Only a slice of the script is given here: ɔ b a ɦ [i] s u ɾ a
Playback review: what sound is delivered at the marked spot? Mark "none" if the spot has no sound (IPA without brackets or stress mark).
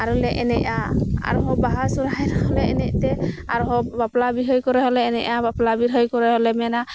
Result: a